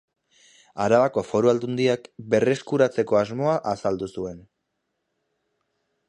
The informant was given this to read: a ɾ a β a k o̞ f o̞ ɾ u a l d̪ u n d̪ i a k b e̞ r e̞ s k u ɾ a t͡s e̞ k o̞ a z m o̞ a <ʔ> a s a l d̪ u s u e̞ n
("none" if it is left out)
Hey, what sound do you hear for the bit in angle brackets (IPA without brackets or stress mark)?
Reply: ʔ